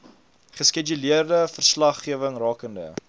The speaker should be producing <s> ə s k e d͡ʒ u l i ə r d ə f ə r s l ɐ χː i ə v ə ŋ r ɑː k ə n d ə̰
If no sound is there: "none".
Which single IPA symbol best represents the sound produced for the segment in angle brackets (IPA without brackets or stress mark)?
χ